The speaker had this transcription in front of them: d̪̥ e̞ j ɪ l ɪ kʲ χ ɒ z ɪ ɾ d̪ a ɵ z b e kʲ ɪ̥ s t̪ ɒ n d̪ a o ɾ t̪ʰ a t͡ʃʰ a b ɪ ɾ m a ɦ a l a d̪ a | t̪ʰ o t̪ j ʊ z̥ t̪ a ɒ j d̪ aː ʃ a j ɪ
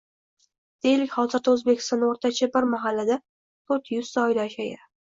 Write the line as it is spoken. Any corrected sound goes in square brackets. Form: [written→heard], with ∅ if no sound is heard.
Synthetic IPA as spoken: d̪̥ e̞ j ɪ l ɪ kʲ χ ɒ z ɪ ɾ d̪ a ɵ z b e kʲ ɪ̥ s t̪ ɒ n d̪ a o ɾ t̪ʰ a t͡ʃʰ a b ɪ ɾ m a ɦ a [l→lː] a d̪ a | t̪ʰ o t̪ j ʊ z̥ t̪ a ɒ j d̪ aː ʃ a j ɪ